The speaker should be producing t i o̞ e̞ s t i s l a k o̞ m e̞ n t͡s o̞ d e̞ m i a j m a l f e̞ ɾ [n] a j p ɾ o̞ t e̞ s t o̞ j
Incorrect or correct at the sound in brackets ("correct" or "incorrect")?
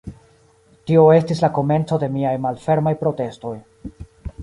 incorrect